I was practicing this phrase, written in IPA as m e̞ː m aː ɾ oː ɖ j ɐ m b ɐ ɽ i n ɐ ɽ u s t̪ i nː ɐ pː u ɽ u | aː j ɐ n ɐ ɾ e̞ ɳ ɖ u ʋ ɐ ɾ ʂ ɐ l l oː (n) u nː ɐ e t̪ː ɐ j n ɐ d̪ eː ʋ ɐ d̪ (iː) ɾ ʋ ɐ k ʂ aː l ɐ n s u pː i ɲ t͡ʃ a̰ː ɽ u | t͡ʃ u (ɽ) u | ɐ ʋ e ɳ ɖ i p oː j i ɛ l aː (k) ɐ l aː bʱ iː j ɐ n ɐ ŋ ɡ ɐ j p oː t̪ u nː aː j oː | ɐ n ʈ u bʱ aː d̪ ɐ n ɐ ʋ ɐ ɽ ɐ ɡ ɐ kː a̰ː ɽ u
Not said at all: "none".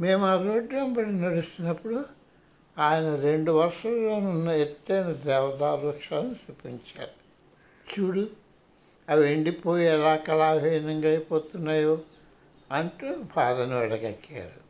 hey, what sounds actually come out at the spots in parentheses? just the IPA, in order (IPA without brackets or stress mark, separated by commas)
n, aː, ɽ, k